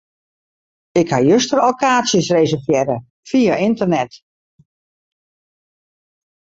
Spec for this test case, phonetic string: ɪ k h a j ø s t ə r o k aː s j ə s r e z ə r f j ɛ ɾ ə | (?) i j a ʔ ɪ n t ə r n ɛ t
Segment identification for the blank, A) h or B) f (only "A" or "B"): B